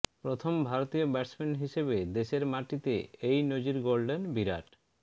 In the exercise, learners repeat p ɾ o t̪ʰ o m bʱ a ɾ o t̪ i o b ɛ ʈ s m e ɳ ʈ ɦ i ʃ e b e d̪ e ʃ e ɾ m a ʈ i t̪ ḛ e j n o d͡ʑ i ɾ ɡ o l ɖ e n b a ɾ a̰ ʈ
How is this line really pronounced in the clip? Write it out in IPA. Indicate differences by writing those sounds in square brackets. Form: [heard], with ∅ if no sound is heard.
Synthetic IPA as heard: p ɾ o t̪ʰ o m bʱ a ɾ o t̪ i o b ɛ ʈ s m e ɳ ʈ ɦ i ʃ e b e d̪ e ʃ e ɾ m a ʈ i t̪ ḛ e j n o d͡ʑ i ɾ ɡ o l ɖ e n b [i] ɾ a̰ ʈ